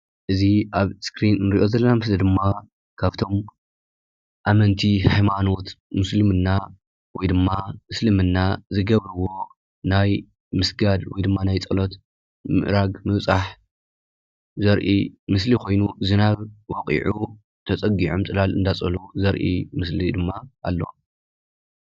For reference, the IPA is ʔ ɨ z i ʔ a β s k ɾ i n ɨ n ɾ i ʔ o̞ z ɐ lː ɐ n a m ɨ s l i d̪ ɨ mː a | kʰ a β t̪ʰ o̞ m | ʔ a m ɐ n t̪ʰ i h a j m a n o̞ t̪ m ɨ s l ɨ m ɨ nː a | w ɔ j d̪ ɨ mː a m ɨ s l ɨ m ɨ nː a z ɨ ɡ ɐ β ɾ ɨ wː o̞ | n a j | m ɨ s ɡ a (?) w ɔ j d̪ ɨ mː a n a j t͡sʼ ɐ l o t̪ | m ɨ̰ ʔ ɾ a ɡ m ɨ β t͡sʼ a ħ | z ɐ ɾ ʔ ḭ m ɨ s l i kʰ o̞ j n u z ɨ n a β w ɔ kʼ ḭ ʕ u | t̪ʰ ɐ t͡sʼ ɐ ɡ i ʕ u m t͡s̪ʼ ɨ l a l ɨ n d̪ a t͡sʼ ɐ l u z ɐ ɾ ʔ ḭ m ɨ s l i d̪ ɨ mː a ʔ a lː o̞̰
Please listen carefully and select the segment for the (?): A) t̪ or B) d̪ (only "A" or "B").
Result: B